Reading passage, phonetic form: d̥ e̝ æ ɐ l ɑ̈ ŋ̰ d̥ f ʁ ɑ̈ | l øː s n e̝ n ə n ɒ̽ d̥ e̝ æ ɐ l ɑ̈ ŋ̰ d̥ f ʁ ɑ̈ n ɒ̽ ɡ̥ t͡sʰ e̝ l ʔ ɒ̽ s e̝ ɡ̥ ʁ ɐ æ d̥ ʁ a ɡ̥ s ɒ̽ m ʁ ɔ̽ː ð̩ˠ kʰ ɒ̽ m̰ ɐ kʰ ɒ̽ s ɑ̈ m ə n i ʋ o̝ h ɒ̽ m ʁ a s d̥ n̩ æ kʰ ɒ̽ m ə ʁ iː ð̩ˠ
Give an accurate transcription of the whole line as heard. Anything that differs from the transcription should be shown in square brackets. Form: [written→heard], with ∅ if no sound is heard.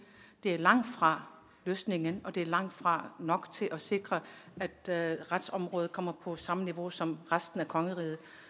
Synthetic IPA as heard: d̥ e̝ æ ɐ l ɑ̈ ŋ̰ d̥ f ʁ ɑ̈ | l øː s n e̝ [n→ŋ] ə n ɒ̽ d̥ e̝ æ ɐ l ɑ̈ ŋ̰ d̥ f ʁ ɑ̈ n ɒ̽ ɡ̥ t͡sʰ e̝ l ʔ ɒ̽ s e̝ ɡ̥ ʁ ɐ æ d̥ ʁ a [ɡ̥→d̥] s ɒ̽ m ʁ ɔ̽ː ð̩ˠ kʰ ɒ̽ m̰ ɐ [kʰ→pʰ] ɒ̽ s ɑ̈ m ə n i ʋ o̝ [h→s] ɒ̽ m ʁ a s d̥ n̩ æ kʰ ɒ̽ [m→ŋ] ə ʁ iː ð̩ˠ